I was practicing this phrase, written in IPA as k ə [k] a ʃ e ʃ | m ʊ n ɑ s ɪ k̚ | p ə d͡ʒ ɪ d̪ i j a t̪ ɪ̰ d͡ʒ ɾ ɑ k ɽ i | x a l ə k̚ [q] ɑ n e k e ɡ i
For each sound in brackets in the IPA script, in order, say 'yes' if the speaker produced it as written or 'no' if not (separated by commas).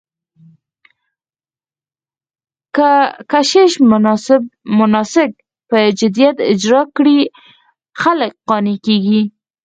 yes, yes